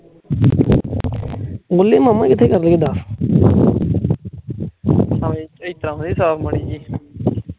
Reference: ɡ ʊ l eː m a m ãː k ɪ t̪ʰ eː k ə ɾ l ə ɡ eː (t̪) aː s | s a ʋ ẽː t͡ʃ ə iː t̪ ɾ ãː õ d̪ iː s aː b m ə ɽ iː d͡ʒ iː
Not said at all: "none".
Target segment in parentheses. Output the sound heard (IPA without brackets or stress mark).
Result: d̪